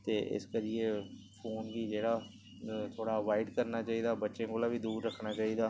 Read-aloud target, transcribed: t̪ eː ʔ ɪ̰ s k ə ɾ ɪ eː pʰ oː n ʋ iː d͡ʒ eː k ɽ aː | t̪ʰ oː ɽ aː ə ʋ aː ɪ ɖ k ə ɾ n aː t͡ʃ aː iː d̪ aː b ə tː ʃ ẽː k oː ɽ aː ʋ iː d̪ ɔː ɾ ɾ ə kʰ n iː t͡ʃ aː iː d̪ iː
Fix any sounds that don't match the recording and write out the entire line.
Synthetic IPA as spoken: t̪ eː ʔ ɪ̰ s k ə ɾ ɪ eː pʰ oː n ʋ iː d͡ʒ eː ɽ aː | t̪ʰ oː ɽ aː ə ʋ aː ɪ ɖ k ə ɾ n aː t͡ʃ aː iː d̪ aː b ə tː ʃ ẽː k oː l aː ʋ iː d̪ uː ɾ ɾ ə kʰ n aː t͡ʃ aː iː d̪ aː